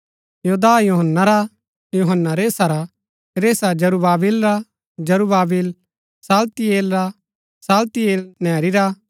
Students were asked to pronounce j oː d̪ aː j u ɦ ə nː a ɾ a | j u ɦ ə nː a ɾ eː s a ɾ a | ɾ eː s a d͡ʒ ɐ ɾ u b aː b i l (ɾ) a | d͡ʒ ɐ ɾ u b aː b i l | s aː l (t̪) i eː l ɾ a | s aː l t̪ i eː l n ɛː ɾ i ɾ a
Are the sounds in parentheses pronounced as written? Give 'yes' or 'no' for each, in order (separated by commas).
yes, yes